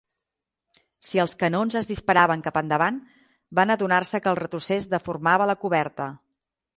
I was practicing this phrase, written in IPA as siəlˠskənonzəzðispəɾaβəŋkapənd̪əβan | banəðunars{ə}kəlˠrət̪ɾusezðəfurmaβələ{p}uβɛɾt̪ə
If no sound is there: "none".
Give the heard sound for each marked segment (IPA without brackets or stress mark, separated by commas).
ə, k